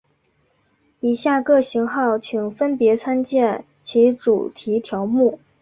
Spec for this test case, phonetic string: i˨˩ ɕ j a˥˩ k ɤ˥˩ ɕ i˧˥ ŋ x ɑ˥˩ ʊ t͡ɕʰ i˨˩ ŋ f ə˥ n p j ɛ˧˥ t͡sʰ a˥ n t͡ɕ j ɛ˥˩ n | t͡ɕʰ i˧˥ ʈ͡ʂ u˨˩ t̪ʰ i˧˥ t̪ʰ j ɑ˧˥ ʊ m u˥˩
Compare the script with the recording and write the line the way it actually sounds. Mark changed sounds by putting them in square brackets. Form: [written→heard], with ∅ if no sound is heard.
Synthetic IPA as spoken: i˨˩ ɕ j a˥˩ k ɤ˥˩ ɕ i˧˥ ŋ x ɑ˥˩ ʊ t͡ɕʰ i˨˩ ŋ f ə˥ n p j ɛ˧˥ t͡sʰ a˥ n t͡ɕ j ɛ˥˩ n | t͡ɕʰ i˧˥ ʈ͡ʂ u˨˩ t̪ʰ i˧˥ t̪ʰ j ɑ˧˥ ʊ m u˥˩